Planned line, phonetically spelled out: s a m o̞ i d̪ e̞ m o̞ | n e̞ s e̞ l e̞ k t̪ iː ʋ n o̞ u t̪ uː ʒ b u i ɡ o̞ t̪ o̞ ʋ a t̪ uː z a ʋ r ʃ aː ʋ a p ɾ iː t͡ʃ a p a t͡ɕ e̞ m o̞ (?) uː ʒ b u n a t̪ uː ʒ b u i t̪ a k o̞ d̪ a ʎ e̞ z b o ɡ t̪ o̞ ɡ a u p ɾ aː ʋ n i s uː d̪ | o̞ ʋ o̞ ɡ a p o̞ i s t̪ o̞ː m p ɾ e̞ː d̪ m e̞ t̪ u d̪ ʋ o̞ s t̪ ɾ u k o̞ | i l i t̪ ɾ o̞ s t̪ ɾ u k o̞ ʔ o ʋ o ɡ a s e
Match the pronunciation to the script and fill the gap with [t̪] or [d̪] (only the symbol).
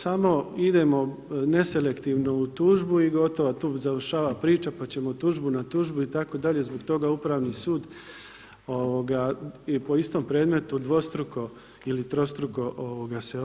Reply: t̪